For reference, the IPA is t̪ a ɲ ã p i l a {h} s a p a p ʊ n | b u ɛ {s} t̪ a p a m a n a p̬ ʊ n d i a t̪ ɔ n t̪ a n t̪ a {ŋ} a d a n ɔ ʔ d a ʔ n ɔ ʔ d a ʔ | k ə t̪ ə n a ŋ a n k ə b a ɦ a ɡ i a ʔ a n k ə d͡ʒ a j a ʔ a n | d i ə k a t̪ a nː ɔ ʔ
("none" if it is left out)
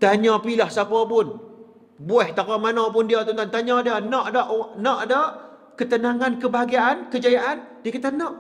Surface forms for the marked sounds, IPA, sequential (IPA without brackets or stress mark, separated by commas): h, h, ɲ